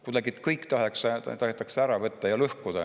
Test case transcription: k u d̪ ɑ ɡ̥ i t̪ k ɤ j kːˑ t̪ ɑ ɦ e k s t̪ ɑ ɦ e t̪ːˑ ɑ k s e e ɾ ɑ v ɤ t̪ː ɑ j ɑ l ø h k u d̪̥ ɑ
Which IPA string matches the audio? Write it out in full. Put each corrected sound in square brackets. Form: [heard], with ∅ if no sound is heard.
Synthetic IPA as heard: k u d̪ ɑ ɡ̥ i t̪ k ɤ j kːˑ t̪ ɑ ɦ e k s t̪ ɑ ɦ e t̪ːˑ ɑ k s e [æ] ɾ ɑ v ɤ t̪ː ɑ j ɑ l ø h k u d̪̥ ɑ